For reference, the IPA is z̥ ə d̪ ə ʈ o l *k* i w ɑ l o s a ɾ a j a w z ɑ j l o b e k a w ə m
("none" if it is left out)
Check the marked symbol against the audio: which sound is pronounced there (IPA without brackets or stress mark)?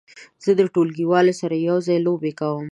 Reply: ɡ